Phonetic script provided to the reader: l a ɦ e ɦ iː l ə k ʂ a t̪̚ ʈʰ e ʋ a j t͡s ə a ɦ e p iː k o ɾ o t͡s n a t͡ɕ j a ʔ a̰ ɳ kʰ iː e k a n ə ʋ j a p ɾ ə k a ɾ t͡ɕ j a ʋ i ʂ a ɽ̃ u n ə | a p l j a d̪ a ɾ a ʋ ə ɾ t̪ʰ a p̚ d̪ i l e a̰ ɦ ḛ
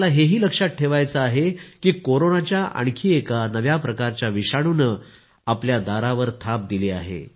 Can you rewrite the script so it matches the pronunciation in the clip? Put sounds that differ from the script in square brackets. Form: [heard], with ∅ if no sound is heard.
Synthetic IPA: l a ɦ e ɦ iː l ə k ʂ a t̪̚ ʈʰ e ʋ a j t͡s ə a ɦ e [k] iː k o ɾ o [∅] n a t͡ɕ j a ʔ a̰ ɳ kʰ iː e k a n ə ʋ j a p ɾ ə k a ɾ t͡ɕ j a ʋ i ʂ a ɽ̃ u n ə | a p l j a d̪ a ɾ a ʋ ə ɾ t̪ʰ a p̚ d̪ i l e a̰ ɦ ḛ